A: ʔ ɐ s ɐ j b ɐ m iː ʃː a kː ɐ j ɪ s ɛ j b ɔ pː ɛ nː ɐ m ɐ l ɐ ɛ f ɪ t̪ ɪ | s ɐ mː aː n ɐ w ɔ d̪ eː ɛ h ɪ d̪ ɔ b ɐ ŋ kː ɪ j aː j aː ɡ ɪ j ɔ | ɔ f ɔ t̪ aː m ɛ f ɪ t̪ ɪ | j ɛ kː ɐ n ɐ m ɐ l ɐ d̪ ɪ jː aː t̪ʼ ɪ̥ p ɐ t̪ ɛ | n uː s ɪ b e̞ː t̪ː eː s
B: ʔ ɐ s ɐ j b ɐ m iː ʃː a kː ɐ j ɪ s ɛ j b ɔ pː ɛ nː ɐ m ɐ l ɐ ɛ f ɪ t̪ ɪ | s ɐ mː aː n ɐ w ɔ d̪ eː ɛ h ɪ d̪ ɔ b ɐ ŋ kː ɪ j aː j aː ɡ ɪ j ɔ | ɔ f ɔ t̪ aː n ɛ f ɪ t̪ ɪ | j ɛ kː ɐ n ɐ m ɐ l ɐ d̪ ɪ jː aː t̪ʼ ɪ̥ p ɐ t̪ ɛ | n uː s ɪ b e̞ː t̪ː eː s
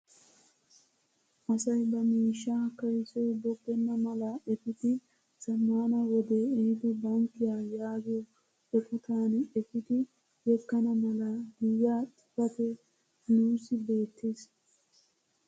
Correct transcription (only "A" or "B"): B